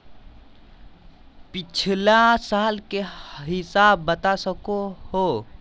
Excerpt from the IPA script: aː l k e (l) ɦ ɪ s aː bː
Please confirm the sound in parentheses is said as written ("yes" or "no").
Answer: no